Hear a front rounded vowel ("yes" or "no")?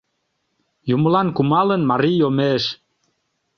no